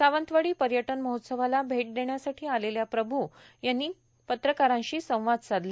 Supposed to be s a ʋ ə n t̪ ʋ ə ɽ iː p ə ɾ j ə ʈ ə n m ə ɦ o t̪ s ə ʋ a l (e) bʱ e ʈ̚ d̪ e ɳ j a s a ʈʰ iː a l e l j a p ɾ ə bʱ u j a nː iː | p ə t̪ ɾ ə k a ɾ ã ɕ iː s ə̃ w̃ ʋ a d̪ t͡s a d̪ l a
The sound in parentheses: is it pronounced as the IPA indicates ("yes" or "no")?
no